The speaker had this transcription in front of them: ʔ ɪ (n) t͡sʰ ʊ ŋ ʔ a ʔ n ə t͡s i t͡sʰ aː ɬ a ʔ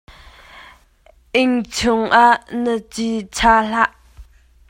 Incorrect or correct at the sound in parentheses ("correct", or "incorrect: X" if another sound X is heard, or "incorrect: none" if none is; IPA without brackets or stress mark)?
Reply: incorrect: ŋ